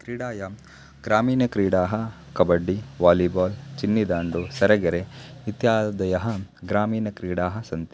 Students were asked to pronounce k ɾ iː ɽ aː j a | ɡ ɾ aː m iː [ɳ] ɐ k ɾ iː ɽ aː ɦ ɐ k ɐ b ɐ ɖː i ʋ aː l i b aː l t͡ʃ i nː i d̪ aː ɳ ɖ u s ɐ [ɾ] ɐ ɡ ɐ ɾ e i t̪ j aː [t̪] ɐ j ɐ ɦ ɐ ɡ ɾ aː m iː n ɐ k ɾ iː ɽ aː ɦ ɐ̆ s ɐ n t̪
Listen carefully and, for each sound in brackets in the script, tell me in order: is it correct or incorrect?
incorrect: n, correct, incorrect: d̪

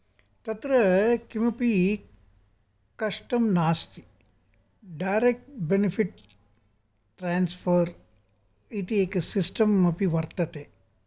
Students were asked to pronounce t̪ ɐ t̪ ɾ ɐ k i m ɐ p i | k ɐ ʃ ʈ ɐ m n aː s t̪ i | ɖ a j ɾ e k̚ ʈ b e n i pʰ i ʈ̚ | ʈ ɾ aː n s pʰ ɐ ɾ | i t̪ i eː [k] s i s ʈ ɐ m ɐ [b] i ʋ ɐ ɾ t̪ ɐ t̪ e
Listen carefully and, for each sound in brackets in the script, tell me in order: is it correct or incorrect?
correct, incorrect: p

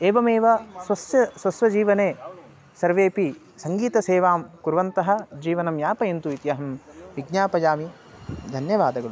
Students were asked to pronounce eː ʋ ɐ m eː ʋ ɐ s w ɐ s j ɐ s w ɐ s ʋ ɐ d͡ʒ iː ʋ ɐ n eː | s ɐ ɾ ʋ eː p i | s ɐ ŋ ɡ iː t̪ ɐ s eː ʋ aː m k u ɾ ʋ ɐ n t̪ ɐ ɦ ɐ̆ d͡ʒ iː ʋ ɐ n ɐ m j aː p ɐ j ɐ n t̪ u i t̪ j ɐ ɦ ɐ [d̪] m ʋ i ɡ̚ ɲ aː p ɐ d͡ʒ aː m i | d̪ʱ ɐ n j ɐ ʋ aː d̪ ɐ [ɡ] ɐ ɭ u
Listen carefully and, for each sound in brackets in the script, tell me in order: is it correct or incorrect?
incorrect: none, correct

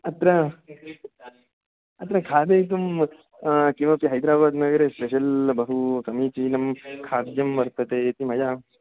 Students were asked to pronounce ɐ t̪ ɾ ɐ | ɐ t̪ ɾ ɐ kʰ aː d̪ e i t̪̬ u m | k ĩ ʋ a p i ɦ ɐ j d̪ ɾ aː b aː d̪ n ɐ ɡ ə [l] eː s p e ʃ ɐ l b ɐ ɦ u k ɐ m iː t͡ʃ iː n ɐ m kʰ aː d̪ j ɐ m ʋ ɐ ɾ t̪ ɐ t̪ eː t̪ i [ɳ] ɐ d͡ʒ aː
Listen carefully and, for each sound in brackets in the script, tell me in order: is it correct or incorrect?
incorrect: ɾ, incorrect: m

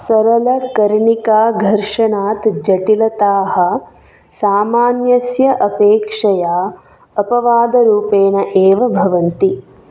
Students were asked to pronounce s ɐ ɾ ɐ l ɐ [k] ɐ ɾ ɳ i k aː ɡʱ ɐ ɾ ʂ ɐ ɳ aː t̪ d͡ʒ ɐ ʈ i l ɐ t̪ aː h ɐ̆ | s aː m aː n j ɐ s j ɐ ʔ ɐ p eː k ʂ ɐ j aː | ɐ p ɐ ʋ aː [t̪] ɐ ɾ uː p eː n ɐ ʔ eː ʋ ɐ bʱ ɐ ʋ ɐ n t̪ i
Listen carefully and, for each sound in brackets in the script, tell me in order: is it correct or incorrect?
correct, incorrect: d̪

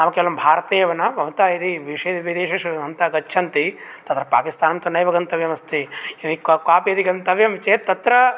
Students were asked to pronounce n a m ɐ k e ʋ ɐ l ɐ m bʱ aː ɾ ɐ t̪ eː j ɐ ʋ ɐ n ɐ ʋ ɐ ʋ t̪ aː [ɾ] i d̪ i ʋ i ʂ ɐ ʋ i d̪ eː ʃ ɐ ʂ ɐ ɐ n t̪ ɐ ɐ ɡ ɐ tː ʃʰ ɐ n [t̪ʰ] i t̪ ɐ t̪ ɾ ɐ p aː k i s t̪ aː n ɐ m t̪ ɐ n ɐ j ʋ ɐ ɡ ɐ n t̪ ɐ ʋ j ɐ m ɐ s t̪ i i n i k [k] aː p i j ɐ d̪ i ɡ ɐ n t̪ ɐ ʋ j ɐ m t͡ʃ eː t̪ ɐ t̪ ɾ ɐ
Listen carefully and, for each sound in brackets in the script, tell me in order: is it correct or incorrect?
incorrect: none, incorrect: t̪, correct

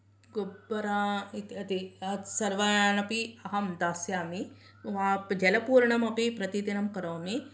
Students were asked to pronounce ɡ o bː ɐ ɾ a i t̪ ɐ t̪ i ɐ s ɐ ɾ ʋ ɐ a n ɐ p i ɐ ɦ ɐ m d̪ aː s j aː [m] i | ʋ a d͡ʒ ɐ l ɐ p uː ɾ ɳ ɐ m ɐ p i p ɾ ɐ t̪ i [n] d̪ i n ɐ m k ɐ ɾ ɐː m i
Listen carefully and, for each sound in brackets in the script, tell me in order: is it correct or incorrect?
correct, incorrect: none

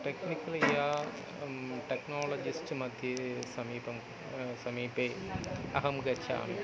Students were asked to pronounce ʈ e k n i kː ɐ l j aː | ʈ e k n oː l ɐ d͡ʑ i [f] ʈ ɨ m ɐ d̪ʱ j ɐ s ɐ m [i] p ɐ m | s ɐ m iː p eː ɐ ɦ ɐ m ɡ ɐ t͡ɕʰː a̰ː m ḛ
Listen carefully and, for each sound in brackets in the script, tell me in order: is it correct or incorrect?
incorrect: s, incorrect: iː

